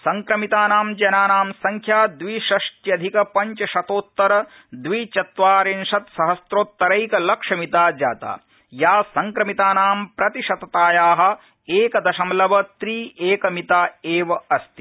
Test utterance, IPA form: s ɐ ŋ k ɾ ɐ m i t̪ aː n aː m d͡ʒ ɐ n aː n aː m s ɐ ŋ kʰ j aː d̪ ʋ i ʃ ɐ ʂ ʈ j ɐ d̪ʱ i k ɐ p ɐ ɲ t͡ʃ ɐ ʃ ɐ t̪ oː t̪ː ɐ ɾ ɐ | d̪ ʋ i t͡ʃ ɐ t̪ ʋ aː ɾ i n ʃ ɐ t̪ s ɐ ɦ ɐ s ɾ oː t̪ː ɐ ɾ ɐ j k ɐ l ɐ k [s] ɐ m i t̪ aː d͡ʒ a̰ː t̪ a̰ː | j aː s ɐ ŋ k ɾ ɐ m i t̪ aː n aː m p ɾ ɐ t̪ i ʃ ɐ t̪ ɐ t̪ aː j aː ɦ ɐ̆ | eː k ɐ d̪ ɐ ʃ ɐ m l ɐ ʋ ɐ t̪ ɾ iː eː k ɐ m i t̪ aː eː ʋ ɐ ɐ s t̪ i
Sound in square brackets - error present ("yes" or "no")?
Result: yes